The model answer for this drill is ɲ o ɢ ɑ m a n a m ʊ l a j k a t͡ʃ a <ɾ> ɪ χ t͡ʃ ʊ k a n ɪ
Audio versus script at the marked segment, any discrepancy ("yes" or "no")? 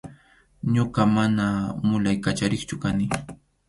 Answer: no